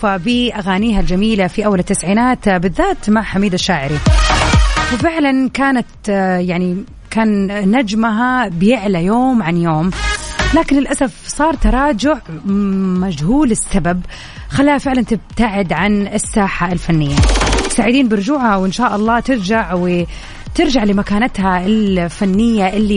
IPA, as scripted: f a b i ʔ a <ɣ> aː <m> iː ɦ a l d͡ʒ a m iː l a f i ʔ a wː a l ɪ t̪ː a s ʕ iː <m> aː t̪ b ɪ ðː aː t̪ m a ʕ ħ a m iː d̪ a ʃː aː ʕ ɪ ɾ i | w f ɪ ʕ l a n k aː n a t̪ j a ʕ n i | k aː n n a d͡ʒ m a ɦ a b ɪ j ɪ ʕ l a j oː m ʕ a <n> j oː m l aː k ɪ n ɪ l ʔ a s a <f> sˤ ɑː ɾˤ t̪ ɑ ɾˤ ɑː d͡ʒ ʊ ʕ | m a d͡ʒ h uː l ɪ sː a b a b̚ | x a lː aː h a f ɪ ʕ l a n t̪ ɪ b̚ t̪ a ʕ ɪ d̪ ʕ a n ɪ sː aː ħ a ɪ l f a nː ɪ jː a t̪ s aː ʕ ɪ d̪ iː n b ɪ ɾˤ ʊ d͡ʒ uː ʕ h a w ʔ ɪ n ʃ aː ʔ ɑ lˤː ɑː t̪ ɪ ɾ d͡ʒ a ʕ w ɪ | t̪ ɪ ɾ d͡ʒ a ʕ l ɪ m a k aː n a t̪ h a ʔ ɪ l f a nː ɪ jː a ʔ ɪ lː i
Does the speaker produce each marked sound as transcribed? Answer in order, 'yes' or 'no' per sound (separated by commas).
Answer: yes, no, no, yes, yes